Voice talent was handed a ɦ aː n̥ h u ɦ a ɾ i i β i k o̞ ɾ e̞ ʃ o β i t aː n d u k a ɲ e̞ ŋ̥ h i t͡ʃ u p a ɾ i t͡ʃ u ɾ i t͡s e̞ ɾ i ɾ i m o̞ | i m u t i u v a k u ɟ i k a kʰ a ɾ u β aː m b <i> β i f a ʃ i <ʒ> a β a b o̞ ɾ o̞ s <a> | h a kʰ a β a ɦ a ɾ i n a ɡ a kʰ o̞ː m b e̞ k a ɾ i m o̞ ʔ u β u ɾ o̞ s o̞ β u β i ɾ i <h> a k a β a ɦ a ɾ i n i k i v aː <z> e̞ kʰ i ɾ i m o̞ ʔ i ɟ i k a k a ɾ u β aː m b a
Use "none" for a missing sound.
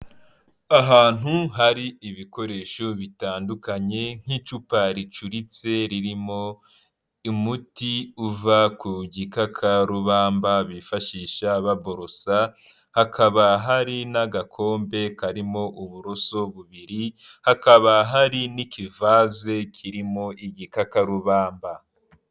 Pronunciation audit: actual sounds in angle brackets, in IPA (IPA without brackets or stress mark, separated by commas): a, ʃ, a, h, z